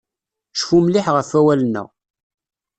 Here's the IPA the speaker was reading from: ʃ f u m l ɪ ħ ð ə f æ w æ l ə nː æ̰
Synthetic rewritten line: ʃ f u m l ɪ ħ ʁ ə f æ w æ l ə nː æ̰